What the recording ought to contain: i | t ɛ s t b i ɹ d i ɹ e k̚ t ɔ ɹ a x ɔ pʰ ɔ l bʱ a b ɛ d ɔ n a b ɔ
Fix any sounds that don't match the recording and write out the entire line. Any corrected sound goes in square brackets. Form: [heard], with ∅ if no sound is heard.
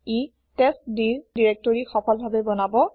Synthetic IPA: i | t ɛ s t [d] i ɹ d i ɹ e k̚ t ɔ ɹ [i] x ɔ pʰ ɔ l bʱ a b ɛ [b] ɔ n a b ɔ